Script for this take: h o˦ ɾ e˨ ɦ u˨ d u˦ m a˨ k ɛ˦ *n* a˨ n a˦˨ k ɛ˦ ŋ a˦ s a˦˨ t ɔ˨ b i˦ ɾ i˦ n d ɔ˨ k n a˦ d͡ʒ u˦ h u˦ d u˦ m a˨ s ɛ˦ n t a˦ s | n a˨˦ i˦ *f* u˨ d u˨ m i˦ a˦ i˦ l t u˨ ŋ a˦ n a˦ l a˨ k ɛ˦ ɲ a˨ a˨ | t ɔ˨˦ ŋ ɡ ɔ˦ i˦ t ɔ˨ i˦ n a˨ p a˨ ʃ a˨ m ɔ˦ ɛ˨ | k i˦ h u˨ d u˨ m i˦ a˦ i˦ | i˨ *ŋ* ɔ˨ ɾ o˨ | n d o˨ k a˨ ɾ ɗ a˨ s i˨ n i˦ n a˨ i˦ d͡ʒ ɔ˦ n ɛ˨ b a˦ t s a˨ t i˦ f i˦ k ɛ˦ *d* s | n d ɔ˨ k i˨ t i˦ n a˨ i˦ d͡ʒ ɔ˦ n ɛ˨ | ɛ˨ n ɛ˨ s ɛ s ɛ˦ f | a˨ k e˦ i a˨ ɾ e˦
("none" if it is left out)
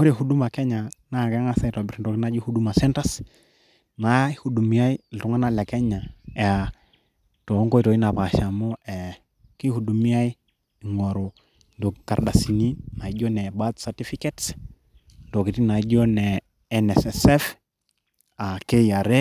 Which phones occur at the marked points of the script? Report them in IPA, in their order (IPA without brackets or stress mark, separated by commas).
ɲ, h, ŋ, t